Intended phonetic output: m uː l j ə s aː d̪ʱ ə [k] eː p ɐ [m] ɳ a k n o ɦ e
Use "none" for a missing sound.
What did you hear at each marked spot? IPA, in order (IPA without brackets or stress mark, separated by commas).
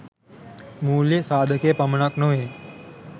k, m